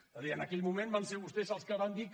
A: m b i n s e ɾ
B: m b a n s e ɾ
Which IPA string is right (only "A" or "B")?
B